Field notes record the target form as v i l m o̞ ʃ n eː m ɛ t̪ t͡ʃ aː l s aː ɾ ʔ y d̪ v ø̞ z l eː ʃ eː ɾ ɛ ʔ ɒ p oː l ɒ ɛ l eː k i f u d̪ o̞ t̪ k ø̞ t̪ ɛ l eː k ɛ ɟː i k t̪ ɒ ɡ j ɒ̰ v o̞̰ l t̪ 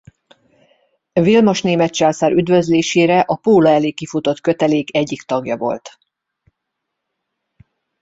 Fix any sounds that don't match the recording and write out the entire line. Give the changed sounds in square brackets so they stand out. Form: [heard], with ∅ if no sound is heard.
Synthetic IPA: v i l m o̞ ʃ n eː m ɛ t̪ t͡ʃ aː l s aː ɾ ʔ y d̪ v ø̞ z l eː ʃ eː ɾ ɛ ʔ ɒ p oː l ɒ ɛ l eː k i f u [t̪] o̞ t̪ k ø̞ t̪ ɛ l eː k ɛ ɟː i k t̪ ɒ ɡ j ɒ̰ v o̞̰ l t̪